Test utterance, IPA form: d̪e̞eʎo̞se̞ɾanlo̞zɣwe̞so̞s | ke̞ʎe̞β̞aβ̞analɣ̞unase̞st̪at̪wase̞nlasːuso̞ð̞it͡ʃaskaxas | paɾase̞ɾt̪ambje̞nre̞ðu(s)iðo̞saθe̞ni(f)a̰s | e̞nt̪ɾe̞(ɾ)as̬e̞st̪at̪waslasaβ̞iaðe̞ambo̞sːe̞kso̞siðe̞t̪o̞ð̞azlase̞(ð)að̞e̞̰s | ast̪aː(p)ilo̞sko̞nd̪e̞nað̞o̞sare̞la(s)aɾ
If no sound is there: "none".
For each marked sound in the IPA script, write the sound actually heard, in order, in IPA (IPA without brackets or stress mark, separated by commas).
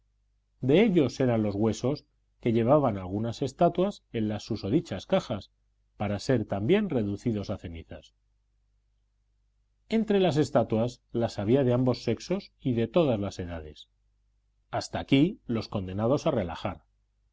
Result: θ, θ, l, ð, k, x